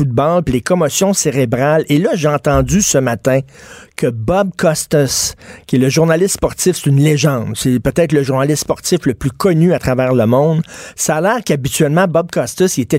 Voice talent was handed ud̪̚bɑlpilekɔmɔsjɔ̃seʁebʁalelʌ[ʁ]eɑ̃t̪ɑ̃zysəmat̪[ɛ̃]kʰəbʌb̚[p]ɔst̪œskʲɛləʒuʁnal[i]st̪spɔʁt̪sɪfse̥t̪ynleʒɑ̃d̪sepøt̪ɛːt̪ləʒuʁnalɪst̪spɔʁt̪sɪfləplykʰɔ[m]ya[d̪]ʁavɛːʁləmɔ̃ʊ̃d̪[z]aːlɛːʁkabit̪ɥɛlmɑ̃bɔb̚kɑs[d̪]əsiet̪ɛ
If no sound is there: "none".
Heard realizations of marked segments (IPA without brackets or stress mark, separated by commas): ʒ, ɛ̃, k, ɪ, n, t̪, s, t̪